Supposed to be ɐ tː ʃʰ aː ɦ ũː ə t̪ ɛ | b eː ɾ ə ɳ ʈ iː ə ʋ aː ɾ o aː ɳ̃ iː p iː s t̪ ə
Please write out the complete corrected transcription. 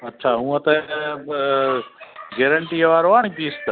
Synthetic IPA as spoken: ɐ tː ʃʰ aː ɦ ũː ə t̪ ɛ | ɡ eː ɾ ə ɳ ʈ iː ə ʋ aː ɾ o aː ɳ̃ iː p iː s t̪ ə